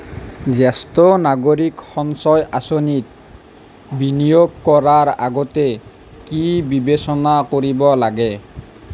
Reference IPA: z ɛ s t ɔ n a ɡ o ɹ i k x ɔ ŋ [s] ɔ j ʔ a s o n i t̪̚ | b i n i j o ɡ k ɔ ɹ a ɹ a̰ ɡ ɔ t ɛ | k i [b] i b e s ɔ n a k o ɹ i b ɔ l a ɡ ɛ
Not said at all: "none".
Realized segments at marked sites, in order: s, b

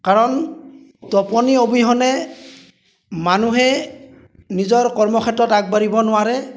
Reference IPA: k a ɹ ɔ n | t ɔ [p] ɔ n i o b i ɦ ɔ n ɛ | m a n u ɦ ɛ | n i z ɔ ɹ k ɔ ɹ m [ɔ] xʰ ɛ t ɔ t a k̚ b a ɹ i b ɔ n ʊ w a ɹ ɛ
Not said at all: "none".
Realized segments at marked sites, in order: p, ɔ

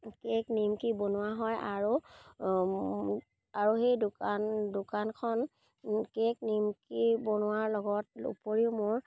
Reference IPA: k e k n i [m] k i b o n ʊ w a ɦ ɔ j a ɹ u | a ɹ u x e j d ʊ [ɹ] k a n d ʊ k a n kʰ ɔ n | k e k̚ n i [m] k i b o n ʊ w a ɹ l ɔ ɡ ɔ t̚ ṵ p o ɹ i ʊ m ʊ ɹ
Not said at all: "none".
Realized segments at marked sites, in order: m, none, m

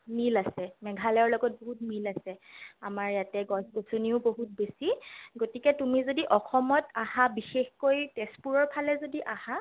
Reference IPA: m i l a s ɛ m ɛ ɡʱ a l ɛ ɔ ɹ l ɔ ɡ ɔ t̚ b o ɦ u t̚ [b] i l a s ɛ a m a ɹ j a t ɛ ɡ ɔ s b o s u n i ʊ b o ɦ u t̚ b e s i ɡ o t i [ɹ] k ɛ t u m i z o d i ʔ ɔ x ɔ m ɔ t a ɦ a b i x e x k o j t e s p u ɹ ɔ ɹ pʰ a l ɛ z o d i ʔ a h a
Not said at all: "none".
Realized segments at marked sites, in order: m, none

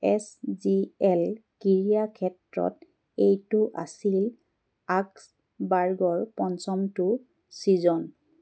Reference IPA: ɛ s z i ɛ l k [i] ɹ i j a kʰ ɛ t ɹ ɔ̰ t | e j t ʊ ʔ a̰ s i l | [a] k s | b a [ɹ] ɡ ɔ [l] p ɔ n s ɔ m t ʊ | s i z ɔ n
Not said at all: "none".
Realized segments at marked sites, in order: i, a, ɹ, ɹ

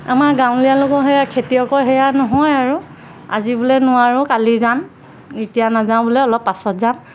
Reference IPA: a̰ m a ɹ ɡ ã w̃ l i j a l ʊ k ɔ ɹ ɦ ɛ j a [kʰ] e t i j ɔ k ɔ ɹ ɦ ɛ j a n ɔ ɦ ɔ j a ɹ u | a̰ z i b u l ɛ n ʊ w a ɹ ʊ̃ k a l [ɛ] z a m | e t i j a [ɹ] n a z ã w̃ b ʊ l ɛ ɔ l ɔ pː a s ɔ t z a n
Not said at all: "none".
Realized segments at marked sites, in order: kʰ, i, none

